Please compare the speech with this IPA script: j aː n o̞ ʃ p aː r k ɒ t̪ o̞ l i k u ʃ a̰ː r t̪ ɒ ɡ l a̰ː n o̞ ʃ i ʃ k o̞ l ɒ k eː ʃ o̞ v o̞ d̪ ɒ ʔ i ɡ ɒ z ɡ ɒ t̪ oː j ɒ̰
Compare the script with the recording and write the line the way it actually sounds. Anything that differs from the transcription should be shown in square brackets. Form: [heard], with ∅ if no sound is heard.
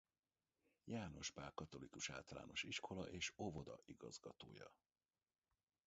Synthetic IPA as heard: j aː n o̞ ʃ p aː r k ɒ t̪ o̞ l i k u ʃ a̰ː [l] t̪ ɒ [∅] l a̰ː n o̞ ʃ i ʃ k o̞ l ɒ [ʔ] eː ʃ o̞ v o̞ d̪ ɒ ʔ i ɡ ɒ z ɡ ɒ t̪ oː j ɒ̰